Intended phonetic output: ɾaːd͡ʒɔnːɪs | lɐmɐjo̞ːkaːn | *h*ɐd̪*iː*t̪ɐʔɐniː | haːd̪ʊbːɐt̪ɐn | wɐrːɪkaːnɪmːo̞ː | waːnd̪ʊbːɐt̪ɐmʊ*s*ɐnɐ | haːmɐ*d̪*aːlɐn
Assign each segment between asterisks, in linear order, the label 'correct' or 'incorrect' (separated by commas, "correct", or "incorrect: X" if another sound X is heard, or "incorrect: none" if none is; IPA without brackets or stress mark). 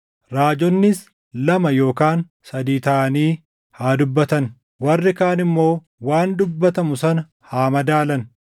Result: incorrect: s, correct, correct, correct